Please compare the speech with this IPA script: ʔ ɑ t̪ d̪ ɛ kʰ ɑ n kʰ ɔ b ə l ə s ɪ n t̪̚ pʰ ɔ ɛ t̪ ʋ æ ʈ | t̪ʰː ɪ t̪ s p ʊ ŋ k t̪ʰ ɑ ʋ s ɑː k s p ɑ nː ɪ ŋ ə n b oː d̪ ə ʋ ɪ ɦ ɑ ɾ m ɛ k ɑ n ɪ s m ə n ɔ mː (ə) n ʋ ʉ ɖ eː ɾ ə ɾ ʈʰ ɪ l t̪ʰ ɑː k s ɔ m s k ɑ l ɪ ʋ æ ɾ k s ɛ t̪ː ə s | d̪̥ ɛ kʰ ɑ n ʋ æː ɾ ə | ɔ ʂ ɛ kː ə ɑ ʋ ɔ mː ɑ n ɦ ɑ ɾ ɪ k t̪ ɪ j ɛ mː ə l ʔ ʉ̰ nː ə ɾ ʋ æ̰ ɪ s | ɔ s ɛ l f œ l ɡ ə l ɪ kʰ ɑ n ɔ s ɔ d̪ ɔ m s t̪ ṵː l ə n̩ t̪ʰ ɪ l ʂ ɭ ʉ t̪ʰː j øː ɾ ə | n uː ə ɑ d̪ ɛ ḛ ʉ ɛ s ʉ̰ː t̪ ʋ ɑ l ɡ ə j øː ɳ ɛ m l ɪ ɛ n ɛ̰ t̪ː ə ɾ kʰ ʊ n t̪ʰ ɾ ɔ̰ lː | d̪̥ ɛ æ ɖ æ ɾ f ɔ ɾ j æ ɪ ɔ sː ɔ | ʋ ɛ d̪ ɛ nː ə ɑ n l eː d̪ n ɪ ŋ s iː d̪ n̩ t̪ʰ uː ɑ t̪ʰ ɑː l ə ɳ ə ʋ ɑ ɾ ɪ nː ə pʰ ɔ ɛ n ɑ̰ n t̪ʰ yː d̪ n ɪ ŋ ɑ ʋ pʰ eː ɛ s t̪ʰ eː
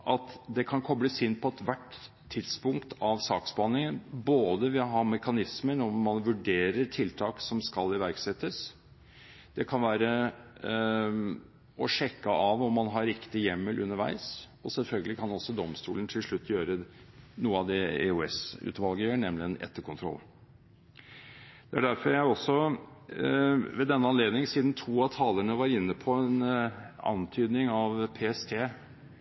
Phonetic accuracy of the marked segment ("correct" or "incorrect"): incorrect